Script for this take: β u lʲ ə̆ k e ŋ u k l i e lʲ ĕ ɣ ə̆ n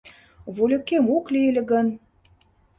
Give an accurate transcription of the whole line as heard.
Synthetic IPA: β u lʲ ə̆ k e m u k l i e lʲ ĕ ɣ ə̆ n

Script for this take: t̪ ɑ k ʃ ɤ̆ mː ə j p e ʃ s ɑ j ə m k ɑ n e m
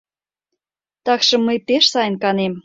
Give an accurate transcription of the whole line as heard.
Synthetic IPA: t̪ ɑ k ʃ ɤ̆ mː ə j p e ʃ s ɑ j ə n k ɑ n e m

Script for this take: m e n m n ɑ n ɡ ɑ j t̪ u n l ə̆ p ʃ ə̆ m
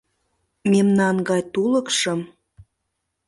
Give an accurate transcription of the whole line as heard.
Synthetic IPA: m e m n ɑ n ɡ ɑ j t̪ u l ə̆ k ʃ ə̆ m

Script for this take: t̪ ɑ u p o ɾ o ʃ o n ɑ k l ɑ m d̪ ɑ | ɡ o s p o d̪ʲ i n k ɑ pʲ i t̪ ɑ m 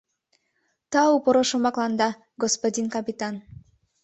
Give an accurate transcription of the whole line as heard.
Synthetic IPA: t̪ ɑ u p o ɾ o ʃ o m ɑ k l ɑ n d̪ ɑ | ɡ o s p o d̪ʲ i n k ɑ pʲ i t̪ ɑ n

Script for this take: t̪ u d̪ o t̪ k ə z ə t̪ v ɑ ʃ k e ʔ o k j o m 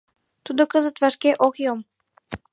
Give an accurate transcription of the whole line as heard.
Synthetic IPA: t̪ u d̪ o k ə z ə t̪ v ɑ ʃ k e ʔ o k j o m

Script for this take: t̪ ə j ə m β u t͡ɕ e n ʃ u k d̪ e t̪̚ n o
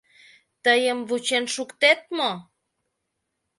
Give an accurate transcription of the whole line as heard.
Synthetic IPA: t̪ ə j ə m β u t͡ɕ e n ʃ u k t̪ e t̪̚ m o

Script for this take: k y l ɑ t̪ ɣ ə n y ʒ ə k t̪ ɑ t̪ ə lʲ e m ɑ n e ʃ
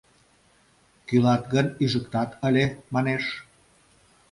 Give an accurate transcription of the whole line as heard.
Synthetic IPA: k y l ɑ t̪ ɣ ə n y ʒ ə k t̪ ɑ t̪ ə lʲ e m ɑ n e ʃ

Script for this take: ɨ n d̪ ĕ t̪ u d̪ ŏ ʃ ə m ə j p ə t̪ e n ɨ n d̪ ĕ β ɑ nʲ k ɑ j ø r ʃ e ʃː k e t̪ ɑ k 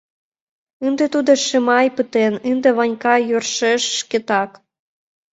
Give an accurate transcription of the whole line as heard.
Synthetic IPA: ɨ n d̪ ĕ t̪ u d̪ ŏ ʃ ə m ɑ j p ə t̪ e n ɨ n d̪ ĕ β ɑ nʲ k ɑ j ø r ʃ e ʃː k e t̪ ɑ k

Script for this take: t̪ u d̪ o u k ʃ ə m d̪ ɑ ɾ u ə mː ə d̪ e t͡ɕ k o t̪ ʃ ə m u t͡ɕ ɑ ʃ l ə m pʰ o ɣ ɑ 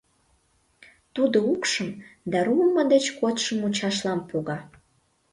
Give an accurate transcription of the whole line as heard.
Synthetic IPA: t̪ u d̪ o u k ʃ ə m d̪ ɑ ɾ u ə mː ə d̪ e t͡ɕ k o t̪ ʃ ə m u t͡ɕ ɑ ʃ l ɑ m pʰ o ɣ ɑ

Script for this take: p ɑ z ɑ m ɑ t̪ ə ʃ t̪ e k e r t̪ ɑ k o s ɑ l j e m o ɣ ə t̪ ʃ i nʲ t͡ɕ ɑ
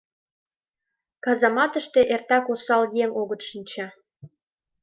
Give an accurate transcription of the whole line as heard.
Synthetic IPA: k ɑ z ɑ m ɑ t̪ ə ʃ t̪ e ʔ e r t̪ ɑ k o s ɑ l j e ŋ o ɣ ə t̪ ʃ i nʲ t͡ɕ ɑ

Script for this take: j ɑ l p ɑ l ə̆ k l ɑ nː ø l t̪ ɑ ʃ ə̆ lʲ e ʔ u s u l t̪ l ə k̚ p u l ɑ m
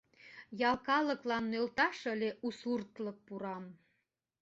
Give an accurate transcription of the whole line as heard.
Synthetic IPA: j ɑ l k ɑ l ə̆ k l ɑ nː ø l t̪ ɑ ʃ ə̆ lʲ e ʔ u s u r t̪ l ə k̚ p u ɾ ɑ m

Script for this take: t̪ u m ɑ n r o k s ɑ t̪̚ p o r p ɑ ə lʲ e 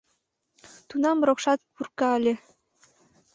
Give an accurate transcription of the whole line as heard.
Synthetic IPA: t̪ u n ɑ m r o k ʃ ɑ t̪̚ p u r k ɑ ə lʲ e

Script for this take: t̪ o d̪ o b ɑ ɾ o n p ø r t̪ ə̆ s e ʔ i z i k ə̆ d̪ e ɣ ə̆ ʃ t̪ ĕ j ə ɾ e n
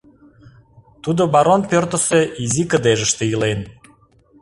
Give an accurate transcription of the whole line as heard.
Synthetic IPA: t̪ u d̪ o b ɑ ɾ o n p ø r t̪ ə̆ s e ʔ i z i k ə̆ d̪ e ʒ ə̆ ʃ t̪ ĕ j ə l e n

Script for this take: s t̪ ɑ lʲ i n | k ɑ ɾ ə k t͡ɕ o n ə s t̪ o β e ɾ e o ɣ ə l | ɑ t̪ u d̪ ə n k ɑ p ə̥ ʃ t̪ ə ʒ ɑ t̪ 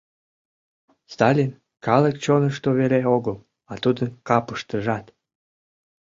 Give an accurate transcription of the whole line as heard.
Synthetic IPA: s t̪ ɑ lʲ i n | k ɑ l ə k t͡ɕ o n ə ʃ t̪ o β e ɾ e o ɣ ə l | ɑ t̪ u d̪ ə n k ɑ p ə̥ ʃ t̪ ə ʒ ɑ t̪

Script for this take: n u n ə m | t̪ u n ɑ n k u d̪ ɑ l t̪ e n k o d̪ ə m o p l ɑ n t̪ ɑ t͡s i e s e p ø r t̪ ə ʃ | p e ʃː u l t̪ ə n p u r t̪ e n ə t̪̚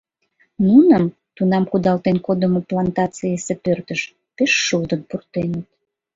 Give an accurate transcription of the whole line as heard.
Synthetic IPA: n u n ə m | t̪ u n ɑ m k u d̪ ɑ l t̪ e n k o d̪ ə m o p l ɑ n t̪ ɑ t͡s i e s e p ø r t̪ ə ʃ | p e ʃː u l d̪ ə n p u r t̪ e n ə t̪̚

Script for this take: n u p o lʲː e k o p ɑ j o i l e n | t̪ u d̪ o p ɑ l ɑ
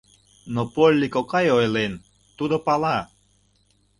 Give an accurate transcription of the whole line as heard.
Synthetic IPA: n o p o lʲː i k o k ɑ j o j l e n | t̪ u d̪ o p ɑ l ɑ

